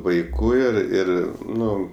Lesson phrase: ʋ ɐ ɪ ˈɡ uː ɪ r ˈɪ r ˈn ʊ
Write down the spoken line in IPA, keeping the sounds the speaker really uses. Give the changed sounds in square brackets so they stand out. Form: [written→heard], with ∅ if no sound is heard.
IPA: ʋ ɐ ɪ [ˈɡ→ˈk] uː ɪ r ˈɪ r ˈn ʊ